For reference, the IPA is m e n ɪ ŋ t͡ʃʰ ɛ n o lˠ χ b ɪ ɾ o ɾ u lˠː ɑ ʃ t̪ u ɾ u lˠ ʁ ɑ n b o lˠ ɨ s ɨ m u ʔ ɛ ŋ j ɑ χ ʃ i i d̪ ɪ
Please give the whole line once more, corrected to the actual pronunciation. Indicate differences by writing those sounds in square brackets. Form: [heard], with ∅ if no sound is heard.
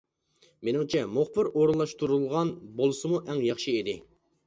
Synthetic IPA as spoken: m e n ɪ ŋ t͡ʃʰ ɛ [m] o [∅] χ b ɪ ɾ o ɾ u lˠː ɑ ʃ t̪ u ɾ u lˠ ʁ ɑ n b o lˠ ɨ s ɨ m u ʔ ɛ ŋ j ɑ χ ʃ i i d̪ ɪ